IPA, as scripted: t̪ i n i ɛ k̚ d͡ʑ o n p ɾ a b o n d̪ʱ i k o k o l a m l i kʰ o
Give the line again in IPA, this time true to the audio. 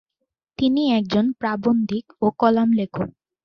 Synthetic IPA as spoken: t̪ i n i ɛ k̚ d͡ʑ o n p ɾ a b o n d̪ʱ i k o k ɔ l a m l e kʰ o

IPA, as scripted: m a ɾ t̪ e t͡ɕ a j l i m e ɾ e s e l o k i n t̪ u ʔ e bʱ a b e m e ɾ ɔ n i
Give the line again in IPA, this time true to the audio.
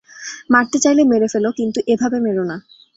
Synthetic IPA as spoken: m a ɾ t̪ e t͡ɕ a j l e m e ɾ e f e l o k i n t̪ u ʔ e bʱ a b e m e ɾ o n a

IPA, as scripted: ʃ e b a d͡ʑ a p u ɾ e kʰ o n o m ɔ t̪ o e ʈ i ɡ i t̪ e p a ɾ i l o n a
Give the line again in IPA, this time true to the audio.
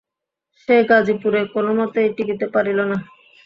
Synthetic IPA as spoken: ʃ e ɡ a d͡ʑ i p u ɾ e k o n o m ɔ t̪ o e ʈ i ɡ i t̪ e p a ɾ i l o n a

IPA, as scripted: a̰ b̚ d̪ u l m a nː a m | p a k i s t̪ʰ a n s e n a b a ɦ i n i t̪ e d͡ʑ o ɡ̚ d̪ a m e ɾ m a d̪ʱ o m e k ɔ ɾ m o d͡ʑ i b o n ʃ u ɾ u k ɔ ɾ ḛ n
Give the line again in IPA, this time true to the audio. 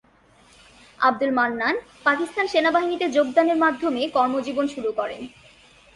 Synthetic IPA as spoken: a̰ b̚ d̪ u l m a nː a n | p a k i s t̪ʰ a n ʃ e n a b a ɦ i n i t̪ e d͡ʑ o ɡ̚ d̪ a n e ɾ m a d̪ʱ o m e k ɔ ɾ m o d͡ʑ i b o n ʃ u ɾ u k ɔ ɾ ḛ n

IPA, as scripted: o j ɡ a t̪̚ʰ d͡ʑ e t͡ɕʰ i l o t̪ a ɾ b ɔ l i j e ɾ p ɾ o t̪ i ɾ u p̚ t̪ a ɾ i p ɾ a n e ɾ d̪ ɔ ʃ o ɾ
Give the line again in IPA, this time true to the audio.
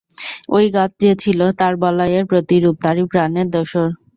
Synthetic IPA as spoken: o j ɡ a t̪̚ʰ d͡ʑ e t͡ɕʰ i l o t̪ a ɾ b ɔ l a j e ɾ p ɾ o t̪ i ɾ u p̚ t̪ a ɾ i p ɾ a n e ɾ d̪ ɔ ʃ o ɾ

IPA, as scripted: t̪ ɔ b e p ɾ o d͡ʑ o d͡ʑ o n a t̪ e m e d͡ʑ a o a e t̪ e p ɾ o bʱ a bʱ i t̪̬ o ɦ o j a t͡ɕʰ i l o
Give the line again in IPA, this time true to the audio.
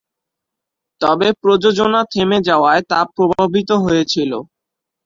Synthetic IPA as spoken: t̪ ɔ b e p ɾ o d͡ʑ o d͡ʑ o n a t̪ʰ e m e d͡ʑ a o a e t̪ a p ɾ o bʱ a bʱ i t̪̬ o ɦ o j e t͡ɕʰ i l o

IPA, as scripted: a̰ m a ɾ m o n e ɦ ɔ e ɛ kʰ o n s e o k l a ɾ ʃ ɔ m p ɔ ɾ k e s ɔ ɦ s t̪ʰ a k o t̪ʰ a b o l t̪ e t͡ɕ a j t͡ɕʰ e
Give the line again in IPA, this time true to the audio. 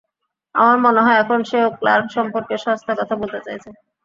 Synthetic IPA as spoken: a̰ m a ɾ m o n e ɦ ɔ e ɛ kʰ o n ʃ e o k l a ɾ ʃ ɔ m p o ɾ k e ʃ ɔ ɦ s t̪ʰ a k ɔ t̪ʰ a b o l t̪ e t͡ɕ a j t͡ɕʰ e

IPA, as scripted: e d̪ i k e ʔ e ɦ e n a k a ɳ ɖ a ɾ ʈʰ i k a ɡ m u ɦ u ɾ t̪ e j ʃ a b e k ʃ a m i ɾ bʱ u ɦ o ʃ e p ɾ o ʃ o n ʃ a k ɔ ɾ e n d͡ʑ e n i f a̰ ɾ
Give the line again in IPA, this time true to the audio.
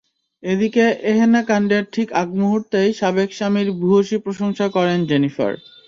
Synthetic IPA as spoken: e d̪ i k e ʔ e ɦ e n a k a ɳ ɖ e ɾ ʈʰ i k a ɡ m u ɦ u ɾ t̪ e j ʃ a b e k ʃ a m i ɾ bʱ u ɦ o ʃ i p ɾ o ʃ o ŋ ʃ a k ɔ ɾ e n d͡ʑ e n i f a̰ ɾ

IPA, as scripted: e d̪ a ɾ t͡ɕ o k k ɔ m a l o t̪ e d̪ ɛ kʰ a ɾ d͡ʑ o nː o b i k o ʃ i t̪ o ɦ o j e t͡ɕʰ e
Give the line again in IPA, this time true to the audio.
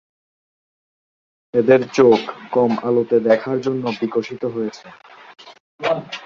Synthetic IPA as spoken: e d̪ e ɾ t͡ɕ o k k ɔ m a l o t̪ e d̪ ɛ kʰ a ɾ d͡ʑ o nː o b i k o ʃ i t̪ o ɦ o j e t͡ɕʰ e

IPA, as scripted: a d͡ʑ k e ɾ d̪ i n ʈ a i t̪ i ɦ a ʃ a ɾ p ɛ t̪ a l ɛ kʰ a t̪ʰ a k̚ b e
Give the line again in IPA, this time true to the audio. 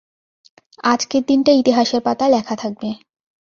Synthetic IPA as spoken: a d͡ʑ k e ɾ d̪ i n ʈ a i t̪ i ɦ a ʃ e ɾ p a t̪ a l ɛ kʰ a t̪ʰ a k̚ b e

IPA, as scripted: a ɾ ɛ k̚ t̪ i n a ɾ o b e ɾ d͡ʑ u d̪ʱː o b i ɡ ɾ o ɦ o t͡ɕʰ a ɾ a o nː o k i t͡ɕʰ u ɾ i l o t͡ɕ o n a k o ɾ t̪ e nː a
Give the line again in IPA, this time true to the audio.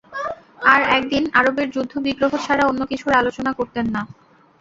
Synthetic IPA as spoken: a ɾ ɛ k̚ d̪ i n a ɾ o b e ɾ d͡ʑ u d̪ʱː o b i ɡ ɾ o ɦ o t͡ɕʰ a ɾ a o nː o k i t͡ɕʰ u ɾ a l o t͡ɕ o n a k o ɾ t̪ e nː a

